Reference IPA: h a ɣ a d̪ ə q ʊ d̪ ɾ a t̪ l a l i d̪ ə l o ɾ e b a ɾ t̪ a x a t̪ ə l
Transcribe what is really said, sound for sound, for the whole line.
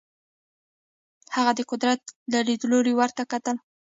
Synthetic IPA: h a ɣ a d̪ ə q ʊ d̪ ɾ a t̪ l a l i d̪ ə l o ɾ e w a ɾ t̪ a k a t̪ ə l